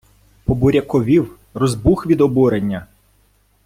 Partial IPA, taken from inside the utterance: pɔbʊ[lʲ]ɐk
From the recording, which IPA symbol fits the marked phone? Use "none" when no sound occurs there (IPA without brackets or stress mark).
ɾʲ